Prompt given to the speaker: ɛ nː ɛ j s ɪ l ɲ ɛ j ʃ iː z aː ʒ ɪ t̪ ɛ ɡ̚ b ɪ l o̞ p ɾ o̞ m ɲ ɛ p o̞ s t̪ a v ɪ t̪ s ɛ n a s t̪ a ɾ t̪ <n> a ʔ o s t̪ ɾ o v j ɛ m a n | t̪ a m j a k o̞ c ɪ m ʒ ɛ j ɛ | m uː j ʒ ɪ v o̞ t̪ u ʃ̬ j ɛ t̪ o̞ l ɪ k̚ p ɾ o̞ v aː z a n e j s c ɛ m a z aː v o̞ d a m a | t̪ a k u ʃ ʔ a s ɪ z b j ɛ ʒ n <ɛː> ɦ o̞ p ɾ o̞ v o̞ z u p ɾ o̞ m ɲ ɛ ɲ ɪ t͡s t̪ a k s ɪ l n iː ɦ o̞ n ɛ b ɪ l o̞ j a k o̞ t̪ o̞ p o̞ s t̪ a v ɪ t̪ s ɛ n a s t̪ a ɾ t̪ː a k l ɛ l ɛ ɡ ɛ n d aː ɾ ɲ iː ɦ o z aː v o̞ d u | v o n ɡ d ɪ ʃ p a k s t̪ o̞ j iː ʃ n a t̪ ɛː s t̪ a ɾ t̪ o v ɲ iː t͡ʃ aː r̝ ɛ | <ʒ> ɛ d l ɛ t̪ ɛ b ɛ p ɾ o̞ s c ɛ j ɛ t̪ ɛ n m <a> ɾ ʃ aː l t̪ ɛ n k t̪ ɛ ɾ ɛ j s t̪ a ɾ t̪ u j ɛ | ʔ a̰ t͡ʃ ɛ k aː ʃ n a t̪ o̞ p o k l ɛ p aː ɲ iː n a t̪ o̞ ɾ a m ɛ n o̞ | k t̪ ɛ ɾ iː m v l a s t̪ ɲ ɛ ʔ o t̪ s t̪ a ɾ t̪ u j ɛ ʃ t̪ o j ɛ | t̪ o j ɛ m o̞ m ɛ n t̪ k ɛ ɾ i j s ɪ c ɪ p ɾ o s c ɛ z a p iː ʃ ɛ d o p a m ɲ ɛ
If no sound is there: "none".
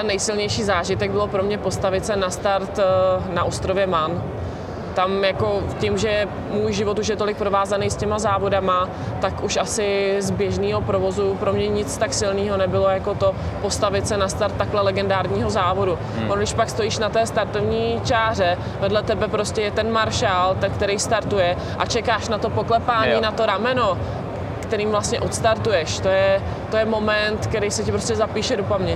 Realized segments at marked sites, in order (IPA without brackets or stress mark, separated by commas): n, iː, v, a